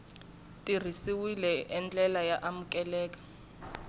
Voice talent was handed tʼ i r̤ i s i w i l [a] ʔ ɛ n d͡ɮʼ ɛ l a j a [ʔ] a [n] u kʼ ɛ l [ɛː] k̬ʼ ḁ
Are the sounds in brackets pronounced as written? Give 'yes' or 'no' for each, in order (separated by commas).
no, yes, no, yes